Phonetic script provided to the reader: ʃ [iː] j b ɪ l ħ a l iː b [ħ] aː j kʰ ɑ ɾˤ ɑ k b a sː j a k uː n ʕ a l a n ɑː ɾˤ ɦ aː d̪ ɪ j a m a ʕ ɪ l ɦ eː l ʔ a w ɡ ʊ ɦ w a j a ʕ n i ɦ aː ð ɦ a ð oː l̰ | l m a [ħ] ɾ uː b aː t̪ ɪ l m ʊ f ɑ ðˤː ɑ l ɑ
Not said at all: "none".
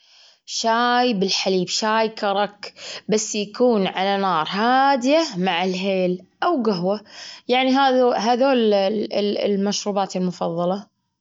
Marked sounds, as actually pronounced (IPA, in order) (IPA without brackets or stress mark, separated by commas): aː, ʃ, ʃ